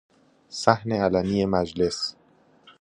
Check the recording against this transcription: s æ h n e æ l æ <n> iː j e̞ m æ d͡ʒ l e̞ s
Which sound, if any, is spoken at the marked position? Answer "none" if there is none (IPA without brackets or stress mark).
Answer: n